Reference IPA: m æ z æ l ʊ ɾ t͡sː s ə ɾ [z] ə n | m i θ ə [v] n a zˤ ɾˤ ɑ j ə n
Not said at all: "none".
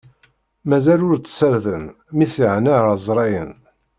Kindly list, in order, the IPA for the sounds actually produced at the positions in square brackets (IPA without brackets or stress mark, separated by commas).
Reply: ð, ʕ